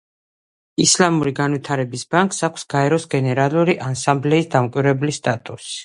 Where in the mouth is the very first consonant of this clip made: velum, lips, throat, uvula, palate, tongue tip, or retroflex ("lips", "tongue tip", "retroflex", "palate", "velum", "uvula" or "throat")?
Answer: tongue tip